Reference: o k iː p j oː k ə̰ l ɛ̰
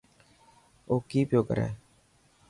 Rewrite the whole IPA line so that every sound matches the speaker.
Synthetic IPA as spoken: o k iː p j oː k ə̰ ɾ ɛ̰